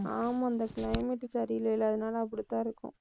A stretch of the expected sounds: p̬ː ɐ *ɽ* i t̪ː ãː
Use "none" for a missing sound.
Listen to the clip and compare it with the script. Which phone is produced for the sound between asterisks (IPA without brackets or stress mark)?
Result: ɽ